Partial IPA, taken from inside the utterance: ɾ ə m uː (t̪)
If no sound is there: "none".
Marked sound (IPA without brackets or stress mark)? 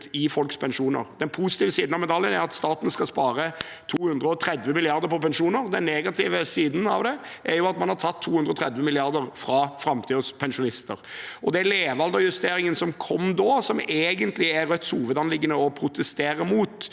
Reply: t̪